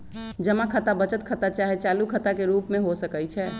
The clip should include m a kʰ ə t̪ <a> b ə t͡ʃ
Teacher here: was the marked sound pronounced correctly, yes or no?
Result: yes